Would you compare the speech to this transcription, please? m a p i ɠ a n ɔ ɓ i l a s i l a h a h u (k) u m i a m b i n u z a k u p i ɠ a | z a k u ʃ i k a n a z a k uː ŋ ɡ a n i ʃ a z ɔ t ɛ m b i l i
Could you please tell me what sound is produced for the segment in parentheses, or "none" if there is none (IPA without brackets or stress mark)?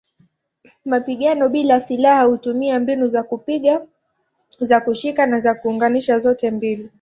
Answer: t